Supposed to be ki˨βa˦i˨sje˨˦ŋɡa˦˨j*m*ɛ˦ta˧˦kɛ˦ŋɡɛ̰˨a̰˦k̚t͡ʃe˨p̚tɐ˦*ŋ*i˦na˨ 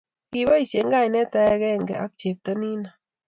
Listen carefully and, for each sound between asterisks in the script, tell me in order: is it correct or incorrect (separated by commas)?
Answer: incorrect, incorrect